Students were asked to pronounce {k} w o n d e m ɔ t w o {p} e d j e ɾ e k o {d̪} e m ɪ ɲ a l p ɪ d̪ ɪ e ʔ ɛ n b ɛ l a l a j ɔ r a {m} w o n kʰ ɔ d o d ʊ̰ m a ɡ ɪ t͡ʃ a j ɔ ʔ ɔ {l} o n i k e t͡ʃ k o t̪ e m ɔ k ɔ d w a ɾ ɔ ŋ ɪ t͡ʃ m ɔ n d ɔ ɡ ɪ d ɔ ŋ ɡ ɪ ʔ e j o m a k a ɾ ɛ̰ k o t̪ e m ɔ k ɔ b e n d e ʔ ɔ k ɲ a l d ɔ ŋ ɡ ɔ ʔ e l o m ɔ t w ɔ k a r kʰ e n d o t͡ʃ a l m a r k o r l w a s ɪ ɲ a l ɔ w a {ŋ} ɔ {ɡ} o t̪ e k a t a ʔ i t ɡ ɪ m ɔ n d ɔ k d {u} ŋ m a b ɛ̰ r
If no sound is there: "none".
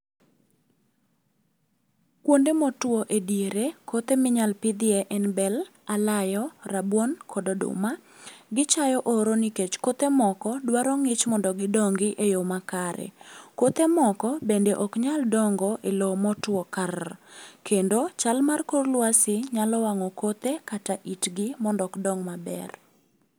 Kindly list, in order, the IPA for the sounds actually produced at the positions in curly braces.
k, ʔ, t̪, b, ɾ, ŋ, k, ɔ

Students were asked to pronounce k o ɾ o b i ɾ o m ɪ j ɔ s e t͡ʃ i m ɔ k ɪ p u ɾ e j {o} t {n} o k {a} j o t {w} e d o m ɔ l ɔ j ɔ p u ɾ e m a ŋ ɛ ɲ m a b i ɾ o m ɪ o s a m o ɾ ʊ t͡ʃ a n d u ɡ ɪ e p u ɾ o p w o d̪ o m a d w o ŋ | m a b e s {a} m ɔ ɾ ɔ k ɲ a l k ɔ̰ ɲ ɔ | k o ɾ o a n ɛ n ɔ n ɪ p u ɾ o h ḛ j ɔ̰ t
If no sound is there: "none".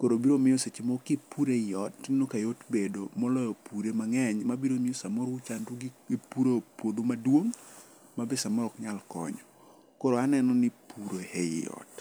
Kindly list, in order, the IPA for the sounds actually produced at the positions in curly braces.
ɔ, n, a, b, a

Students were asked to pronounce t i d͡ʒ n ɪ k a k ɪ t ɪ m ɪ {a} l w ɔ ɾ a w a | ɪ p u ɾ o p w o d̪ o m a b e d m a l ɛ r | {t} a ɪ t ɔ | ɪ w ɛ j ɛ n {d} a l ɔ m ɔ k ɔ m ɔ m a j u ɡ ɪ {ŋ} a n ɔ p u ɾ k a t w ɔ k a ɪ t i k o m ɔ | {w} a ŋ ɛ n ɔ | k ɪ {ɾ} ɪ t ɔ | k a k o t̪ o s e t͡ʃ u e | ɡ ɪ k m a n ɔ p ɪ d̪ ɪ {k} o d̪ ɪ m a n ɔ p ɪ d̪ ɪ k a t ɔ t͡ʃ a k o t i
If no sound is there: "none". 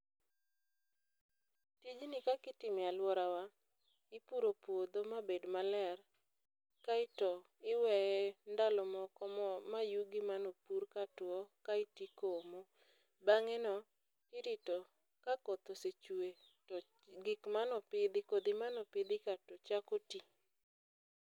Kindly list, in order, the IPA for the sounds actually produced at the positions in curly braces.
a, k, d, m, b, ɾ, k

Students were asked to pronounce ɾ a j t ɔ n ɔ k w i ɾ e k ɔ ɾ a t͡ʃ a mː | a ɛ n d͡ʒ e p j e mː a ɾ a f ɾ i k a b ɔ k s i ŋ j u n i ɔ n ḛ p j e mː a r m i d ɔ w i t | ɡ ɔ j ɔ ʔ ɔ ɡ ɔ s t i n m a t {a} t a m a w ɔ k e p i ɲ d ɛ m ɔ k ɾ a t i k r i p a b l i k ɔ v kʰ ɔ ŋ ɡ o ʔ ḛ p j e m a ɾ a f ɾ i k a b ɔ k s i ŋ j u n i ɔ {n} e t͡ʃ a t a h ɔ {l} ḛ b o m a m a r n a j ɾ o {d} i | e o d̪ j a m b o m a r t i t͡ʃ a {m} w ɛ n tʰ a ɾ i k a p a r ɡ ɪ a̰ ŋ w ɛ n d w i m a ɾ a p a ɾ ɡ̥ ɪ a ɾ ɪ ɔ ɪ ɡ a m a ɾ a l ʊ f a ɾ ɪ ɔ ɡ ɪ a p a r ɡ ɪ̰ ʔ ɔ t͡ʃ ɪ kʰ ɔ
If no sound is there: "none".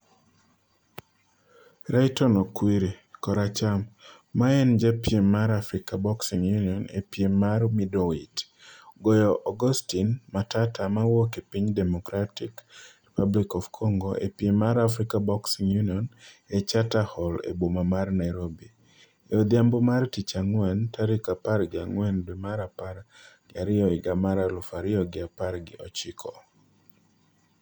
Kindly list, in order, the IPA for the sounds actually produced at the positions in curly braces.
a, n, l, b, ŋ

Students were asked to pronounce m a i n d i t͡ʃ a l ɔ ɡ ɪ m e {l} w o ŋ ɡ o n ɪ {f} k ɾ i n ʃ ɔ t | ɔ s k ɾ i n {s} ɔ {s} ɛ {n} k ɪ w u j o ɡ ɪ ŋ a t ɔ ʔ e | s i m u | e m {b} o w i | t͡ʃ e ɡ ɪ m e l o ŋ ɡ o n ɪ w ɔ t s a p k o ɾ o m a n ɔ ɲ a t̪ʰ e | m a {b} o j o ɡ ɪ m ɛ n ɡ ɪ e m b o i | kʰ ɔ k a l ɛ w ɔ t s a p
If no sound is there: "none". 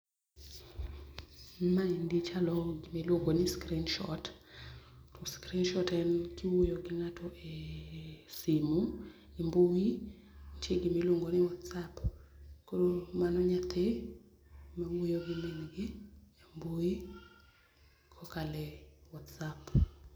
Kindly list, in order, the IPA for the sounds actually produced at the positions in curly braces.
l, s, ʃ, t, n, b, w

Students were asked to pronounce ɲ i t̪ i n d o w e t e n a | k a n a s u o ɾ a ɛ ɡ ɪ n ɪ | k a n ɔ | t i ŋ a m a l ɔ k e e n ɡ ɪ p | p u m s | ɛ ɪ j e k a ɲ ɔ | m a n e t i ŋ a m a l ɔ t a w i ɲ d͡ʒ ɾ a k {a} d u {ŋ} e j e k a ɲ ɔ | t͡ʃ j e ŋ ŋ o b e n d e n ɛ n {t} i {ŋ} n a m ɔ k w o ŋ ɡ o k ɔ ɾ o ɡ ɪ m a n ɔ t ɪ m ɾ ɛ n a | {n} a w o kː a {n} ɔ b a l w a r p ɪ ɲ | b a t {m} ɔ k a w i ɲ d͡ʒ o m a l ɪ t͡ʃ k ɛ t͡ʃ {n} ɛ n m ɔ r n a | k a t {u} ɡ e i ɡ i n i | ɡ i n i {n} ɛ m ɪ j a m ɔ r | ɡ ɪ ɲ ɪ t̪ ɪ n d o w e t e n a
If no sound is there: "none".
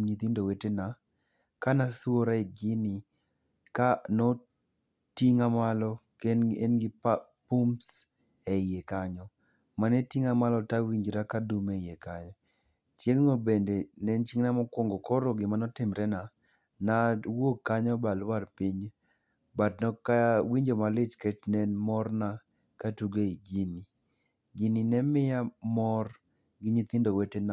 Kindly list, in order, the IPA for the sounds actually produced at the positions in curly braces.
a, m, t͡ʃ, ŋ, n, ɲ, n, n, u, n

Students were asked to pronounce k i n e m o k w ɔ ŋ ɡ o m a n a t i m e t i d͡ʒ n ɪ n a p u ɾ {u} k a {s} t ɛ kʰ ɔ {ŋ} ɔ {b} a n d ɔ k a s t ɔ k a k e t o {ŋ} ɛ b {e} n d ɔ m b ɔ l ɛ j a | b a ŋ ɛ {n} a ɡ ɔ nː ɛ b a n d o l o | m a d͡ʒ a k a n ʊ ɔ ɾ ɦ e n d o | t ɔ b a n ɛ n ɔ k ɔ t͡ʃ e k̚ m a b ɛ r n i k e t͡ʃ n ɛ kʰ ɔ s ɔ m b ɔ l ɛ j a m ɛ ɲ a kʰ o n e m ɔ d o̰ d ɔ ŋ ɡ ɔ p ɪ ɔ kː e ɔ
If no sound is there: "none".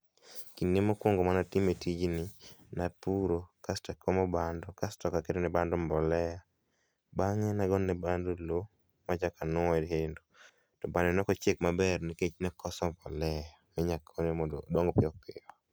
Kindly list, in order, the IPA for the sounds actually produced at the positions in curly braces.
o, s, m, b, n, a, n

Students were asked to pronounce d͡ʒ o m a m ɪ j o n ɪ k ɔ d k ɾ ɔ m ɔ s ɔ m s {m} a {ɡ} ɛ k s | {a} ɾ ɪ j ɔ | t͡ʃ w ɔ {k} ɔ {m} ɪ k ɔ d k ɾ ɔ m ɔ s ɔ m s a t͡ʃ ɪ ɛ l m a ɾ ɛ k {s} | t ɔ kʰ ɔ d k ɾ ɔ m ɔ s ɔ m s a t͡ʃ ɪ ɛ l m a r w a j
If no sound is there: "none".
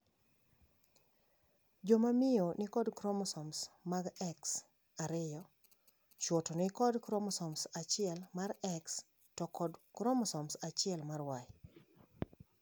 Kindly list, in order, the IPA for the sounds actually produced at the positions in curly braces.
m, ɡ, a, t, n, s

